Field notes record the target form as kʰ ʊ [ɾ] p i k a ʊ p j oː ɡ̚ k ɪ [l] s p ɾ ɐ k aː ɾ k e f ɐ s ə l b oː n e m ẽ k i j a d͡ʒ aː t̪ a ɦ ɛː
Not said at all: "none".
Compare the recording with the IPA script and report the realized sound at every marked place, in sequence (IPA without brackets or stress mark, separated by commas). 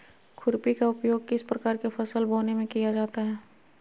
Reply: ɾ, none